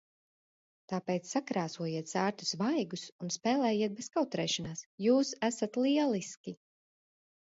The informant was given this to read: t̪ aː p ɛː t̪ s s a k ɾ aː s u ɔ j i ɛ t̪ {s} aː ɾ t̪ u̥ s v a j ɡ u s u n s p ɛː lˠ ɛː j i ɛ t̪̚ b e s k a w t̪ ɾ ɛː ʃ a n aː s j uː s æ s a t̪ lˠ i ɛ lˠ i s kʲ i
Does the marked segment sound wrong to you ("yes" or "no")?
no